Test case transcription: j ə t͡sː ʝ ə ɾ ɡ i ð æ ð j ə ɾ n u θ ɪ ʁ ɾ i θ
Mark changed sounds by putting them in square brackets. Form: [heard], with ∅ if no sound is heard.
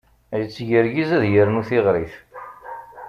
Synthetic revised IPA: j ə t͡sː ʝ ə ɾ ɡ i [z] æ ð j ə ɾ n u θ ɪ ʁ ɾ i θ